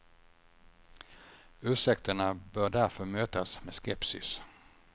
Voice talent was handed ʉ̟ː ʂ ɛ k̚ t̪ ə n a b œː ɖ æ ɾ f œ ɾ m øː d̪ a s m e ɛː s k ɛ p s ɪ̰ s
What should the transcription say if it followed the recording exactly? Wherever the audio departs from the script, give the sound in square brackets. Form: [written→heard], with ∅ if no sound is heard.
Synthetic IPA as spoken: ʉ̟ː ʂ ɛ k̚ t̪ ə [n→ɳ] a b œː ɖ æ ɾ f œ ɾ m øː [d̪→t̪] a s m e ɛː s k ɛ p s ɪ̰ s